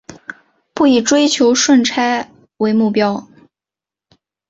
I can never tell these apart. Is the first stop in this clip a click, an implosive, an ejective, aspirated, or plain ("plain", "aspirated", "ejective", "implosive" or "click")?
plain